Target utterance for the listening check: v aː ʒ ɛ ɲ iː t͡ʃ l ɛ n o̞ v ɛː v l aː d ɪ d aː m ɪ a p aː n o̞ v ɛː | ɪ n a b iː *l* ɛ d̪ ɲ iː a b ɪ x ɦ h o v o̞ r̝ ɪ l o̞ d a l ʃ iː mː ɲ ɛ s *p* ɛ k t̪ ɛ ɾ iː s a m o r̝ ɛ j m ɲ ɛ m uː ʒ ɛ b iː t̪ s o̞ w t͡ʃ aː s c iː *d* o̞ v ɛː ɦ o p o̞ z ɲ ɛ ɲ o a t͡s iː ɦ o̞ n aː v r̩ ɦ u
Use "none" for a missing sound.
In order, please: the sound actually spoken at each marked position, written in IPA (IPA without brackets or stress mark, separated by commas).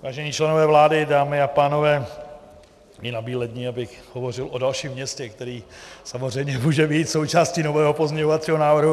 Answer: l, c, n